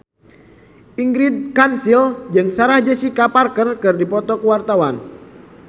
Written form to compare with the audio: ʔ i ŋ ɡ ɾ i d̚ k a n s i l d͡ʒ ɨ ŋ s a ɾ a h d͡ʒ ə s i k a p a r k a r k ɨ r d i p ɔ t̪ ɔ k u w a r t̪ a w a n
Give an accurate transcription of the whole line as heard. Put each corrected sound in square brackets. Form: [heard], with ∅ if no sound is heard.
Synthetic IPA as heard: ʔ i ŋ ɡ ɾ i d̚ k a n s i l d͡ʒ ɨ ŋ s a ɾ a h d͡ʒ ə s i k a p a r k [ə] r k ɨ r d i p ɔ t̪ ɔ k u w a r t̪ a w a n